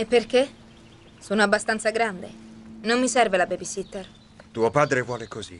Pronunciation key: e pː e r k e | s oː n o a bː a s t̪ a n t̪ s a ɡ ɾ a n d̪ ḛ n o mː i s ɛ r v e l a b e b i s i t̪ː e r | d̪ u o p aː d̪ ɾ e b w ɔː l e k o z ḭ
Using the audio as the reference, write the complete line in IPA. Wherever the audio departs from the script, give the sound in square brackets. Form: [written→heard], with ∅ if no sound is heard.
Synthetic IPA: e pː e r k e | s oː n o a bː a s t̪ a n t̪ s a ɡ ɾ a n d̪ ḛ n o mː i s ɛ r v e l a b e b i s i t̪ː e r | [d̪→t̪] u o p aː d̪ ɾ e [b→v] w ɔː l e k o z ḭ